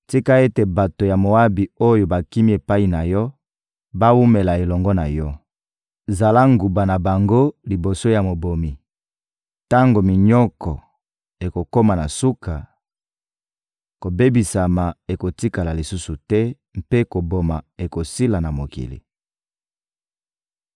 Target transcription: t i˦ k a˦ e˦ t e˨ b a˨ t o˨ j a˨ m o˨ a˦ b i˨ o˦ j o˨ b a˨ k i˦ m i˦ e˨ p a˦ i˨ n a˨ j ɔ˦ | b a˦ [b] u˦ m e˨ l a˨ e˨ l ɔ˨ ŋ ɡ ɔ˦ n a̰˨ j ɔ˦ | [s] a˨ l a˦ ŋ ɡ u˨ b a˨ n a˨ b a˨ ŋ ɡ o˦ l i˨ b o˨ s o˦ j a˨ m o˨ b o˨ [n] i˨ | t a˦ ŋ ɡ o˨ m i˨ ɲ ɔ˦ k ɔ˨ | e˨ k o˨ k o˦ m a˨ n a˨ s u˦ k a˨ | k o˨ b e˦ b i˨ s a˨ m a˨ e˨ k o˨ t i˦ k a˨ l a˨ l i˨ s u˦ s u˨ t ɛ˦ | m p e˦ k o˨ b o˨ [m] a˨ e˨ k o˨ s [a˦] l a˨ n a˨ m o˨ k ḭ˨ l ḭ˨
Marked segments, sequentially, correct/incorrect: incorrect: w, incorrect: z, incorrect: m, correct, incorrect: i˦

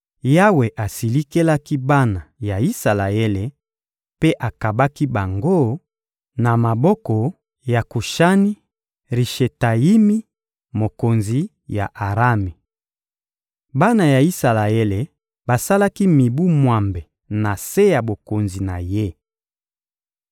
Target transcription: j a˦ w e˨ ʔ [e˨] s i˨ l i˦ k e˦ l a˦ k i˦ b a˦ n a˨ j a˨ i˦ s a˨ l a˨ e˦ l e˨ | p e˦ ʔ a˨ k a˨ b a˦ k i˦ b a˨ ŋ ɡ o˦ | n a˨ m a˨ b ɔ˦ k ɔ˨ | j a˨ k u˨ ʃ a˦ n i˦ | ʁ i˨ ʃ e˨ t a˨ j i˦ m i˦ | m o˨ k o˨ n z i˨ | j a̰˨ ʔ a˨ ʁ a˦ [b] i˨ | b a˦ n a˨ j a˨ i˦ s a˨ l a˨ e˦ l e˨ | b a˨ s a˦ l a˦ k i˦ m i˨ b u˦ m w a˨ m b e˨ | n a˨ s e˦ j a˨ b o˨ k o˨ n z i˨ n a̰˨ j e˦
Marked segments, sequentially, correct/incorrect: incorrect: a˨, incorrect: m

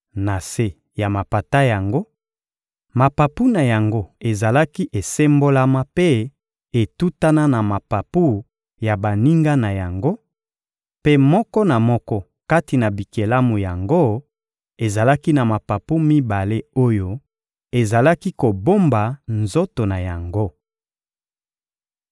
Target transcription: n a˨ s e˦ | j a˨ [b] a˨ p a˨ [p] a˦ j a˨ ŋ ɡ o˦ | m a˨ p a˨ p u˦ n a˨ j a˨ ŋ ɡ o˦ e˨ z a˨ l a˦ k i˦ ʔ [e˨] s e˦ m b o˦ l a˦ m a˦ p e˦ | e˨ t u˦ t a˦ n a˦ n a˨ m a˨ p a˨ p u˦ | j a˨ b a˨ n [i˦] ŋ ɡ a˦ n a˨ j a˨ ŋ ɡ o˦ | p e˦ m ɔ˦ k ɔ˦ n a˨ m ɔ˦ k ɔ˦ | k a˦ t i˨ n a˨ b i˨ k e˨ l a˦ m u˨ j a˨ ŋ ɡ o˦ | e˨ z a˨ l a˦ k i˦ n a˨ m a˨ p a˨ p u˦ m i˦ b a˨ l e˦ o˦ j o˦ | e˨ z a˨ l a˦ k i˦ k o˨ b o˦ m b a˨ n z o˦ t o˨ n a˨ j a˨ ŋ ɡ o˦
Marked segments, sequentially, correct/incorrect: incorrect: m, incorrect: t, correct, correct

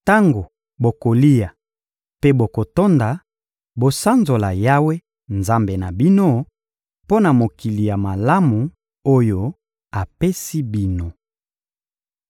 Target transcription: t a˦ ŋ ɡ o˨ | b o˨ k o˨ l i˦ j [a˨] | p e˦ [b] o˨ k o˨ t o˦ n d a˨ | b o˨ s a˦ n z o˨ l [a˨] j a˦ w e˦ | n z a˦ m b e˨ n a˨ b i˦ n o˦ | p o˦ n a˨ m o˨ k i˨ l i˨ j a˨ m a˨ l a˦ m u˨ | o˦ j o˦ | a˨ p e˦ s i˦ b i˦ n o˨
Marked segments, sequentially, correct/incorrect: correct, correct, correct

